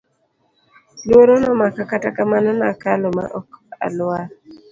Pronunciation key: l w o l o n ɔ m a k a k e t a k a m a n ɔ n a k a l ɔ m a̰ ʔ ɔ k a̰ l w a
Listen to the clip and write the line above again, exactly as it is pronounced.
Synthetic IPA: l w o ɾ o n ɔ m a k a k a t a k a m a n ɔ n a k a l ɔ m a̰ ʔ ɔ k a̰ l w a

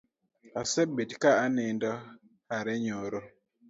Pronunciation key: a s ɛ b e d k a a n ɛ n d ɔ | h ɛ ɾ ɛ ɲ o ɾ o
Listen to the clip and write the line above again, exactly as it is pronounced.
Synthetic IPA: a s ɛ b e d k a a n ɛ n d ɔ | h a ɾ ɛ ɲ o ɾ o

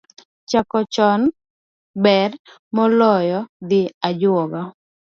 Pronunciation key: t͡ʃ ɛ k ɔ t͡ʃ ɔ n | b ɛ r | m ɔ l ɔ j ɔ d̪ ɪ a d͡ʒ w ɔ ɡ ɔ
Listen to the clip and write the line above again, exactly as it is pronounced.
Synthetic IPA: t͡ʃ a k ɔ t͡ʃ ɔ n | b ɛ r | m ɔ l ɔ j ɔ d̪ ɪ a d͡ʒ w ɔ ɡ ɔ

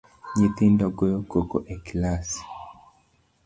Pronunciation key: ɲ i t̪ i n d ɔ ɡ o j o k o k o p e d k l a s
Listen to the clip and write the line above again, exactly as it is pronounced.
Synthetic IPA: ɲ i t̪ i n d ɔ ɡ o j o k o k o ʔ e k l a s

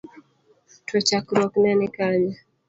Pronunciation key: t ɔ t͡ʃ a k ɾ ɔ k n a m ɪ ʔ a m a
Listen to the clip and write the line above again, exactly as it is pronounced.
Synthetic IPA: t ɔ t͡ʃ a k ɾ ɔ k n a n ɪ k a ɲ a

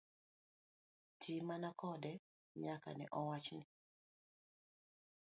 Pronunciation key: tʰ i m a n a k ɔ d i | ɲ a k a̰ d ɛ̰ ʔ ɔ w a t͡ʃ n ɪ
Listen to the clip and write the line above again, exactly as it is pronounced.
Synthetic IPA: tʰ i m a n a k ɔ d ɛ | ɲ a k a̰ n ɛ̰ ʔ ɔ w a t͡ʃ n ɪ

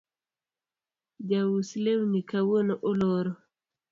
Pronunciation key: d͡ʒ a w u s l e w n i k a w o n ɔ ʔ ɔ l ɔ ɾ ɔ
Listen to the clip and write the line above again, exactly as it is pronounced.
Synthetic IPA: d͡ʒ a w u s l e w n i k a w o n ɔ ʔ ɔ l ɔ ɾ ɔ

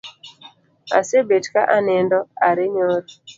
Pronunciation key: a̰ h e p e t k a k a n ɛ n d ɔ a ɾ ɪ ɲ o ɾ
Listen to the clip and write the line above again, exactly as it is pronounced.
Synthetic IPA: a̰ s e b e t k a ʔ a n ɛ n d ɔ a ɾ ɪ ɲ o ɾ

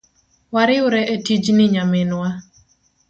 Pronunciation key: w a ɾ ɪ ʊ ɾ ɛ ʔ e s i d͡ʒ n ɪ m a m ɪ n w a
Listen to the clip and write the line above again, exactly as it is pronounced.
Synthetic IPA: w a ɾ ɪ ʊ ɾ ɛ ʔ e t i d͡ʒ n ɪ ɲ a m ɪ n w a

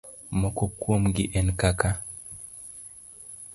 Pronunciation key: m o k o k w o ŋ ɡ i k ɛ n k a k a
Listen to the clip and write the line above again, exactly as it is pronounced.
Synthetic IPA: m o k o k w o m ɡ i ʔ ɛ n k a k a

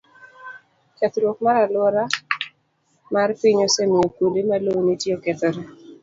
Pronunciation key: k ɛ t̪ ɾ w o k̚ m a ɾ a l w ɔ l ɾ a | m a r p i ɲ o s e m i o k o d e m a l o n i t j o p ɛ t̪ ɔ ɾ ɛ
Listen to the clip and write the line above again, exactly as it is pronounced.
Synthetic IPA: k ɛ t̪ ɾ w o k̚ m a ɾ a l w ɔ ɾ a | m a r p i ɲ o s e m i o k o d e m a l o n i t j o k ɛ t̪ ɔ ɾ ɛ

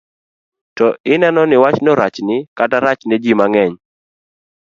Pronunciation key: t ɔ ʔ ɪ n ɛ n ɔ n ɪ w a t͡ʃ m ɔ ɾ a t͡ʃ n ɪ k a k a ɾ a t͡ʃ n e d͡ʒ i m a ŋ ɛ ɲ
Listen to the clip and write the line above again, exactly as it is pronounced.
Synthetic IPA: t ɔ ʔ ɪ n ɛ n ɔ n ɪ w a t͡ʃ n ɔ ɾ a t͡ʃ n ɪ k a t a ɾ a t͡ʃ n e d͡ʒ i m a ŋ ɛ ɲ

